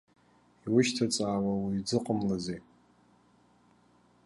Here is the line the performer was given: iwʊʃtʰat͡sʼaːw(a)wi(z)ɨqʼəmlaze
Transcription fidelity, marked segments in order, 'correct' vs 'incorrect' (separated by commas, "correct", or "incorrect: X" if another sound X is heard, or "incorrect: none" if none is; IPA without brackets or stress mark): correct, incorrect: d͡z